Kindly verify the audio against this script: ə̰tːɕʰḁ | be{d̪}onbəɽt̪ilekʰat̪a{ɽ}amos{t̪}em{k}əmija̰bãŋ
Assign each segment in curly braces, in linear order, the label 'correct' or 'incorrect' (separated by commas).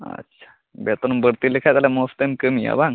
incorrect, incorrect, correct, correct